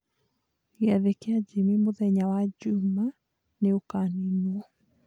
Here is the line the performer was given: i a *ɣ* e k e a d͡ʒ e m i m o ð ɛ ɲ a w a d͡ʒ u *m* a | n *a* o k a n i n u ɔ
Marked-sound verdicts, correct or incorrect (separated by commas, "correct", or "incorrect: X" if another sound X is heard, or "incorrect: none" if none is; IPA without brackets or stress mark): incorrect: ð, correct, incorrect: e